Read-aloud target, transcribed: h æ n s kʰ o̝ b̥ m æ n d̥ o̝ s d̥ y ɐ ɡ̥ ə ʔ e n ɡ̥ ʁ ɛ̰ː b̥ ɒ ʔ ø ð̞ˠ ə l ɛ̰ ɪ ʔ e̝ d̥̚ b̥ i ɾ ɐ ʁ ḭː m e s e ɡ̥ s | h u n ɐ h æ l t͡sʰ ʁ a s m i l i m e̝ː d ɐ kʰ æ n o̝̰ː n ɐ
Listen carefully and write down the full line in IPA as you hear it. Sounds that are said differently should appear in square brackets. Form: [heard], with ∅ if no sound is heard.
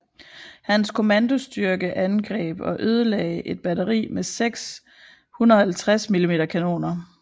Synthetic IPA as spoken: h æ n s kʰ o̝ [∅] m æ n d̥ o̝ s d̥ y ɐ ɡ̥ ə ʔ [æ] n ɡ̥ ʁ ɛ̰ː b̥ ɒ ʔ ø ð̞ˠ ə l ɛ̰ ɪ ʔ e̝ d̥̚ b̥ [æ] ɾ ɐ ʁ ḭː m e s e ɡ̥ s | h u n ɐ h æ l t͡sʰ ʁ a s m i l i m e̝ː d ɐ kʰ æ n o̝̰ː n ɐ